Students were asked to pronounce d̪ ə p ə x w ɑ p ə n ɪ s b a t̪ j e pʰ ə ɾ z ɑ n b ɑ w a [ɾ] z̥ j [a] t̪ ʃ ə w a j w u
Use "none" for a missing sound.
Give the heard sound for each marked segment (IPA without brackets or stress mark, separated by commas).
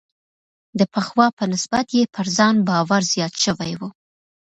ɾ, ɑ